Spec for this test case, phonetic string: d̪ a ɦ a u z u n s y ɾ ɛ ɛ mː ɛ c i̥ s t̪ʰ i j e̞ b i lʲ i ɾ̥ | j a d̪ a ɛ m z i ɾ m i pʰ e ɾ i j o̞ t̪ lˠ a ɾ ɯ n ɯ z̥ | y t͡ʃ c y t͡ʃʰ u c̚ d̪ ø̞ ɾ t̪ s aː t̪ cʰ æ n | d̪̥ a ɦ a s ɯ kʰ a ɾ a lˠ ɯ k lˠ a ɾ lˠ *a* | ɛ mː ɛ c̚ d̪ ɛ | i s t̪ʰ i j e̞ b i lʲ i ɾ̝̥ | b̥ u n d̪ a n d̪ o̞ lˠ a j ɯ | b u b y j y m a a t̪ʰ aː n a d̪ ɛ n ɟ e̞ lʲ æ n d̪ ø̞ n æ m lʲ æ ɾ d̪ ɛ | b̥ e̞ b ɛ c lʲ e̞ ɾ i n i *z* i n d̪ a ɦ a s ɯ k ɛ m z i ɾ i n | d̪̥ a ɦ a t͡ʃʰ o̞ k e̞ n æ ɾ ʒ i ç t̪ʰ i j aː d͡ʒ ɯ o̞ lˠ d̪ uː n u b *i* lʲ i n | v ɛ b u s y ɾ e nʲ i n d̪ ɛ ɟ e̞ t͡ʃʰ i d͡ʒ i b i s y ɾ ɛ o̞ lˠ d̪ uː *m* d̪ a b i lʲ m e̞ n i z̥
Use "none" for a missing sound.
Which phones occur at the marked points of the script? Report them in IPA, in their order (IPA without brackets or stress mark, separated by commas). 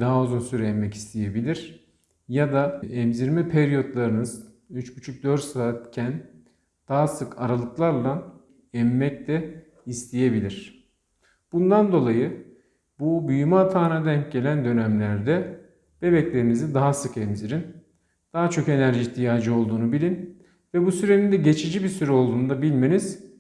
a, z, i, n